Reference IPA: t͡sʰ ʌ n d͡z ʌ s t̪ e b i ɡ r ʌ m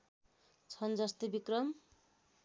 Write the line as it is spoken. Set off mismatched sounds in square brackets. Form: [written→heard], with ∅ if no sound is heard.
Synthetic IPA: t͡sʰ ʌ n d͡z ʌ s t̪ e b i [ɡ→k] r ʌ m